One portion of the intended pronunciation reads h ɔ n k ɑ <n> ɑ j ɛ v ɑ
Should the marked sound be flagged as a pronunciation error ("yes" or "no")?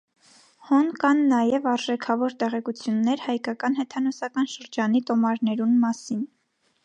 yes